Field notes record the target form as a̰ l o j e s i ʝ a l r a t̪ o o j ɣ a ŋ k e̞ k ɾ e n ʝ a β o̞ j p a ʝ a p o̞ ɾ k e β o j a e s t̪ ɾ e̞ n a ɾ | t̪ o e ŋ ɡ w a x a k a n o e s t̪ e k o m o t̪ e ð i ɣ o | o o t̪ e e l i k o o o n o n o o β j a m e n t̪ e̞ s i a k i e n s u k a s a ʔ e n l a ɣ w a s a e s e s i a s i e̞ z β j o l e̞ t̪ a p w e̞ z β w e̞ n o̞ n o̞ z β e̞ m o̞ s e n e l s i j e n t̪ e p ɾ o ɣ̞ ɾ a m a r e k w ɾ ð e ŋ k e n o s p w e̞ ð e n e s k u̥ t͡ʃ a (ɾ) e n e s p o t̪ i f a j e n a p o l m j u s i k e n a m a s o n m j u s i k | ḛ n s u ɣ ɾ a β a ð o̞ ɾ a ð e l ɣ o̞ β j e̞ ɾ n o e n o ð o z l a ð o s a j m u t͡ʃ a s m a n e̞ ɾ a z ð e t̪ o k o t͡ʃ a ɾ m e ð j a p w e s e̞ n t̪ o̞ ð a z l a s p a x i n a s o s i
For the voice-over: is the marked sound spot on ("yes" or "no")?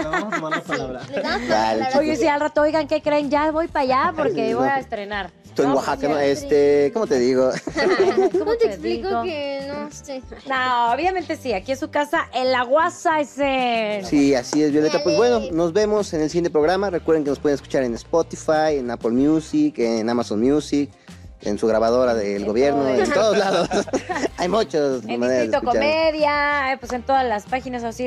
yes